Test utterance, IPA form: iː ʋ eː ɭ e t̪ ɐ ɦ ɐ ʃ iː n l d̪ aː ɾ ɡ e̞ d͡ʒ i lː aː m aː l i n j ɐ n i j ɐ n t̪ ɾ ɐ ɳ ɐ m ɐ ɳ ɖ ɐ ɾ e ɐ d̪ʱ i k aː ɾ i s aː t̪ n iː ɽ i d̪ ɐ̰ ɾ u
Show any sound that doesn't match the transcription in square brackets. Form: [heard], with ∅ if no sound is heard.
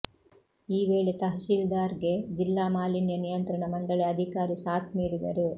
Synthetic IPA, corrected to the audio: iː ʋ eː ɭ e t̪ ɐ ɦ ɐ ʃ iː [∅] l d̪ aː ɾ ɡ e̞ d͡ʒ i lː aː m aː l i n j ɐ n i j ɐ n t̪ ɾ ɐ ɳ ɐ m ɐ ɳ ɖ ɐ [ɭ] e ɐ d̪ʱ i k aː ɾ i s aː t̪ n iː ɽ i d̪ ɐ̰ ɾ u